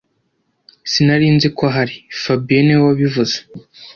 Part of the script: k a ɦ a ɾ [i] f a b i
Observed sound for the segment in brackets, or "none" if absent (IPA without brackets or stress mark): i